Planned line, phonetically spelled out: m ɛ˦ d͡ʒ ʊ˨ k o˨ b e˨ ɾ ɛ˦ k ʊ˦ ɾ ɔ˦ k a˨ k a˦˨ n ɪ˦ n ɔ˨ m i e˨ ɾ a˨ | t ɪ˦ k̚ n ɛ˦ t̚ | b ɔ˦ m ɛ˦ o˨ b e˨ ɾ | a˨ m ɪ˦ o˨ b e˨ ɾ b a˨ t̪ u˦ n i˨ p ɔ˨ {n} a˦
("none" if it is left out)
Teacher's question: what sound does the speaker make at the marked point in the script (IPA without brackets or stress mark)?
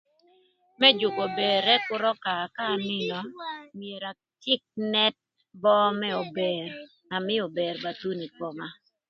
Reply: m